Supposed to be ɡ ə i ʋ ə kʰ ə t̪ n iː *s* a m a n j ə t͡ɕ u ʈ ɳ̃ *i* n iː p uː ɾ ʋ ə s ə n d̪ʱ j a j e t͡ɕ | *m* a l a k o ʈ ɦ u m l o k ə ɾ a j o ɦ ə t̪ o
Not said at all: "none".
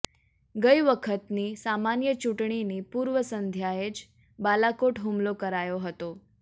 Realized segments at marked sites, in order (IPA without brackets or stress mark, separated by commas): s, i, b